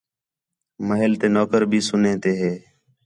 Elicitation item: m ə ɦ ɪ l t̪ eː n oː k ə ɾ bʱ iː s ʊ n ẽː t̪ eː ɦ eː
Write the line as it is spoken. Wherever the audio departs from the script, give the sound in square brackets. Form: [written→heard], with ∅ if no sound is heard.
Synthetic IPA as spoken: m ə ɦ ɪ l t̪ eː n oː k ə ɾ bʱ iː s ʊ n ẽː t̪ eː ɦ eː